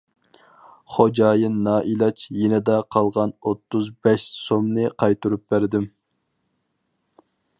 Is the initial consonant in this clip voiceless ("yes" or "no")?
yes